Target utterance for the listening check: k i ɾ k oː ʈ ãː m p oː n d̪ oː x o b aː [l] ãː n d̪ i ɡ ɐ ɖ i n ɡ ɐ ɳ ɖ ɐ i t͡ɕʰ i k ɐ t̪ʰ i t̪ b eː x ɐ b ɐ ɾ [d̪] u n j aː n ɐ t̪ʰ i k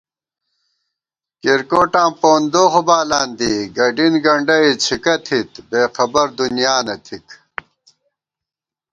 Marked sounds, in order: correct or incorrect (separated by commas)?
correct, correct